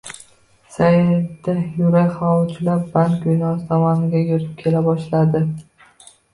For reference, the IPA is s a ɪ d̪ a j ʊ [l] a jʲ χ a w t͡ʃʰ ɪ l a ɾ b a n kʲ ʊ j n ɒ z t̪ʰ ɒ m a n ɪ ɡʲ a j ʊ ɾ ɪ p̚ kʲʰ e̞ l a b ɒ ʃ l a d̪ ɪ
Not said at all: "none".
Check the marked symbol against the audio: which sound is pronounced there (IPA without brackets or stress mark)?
ɾ